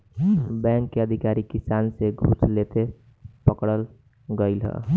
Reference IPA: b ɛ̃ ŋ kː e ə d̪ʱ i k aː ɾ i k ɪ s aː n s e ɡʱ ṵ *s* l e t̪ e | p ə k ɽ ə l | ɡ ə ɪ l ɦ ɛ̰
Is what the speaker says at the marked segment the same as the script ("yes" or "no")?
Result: yes